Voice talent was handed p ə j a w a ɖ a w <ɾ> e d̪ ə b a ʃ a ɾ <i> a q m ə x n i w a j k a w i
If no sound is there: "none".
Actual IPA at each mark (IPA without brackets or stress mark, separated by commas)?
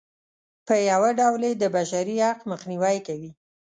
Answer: l, i